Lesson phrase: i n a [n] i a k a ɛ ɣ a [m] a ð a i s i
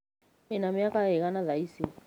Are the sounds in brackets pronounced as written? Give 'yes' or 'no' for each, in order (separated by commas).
no, no